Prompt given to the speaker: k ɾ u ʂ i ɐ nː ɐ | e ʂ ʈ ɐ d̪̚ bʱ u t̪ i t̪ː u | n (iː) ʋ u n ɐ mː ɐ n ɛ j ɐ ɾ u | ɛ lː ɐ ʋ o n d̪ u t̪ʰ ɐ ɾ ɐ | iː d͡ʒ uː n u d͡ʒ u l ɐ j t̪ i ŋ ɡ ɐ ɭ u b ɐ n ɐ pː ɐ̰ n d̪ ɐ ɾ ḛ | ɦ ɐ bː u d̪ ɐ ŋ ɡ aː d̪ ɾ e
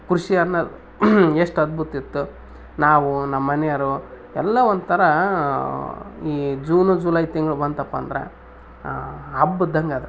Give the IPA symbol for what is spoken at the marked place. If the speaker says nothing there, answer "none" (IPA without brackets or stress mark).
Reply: aː